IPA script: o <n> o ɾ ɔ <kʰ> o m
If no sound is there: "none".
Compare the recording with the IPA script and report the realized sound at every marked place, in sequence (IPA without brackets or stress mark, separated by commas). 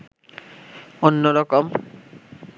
nː, k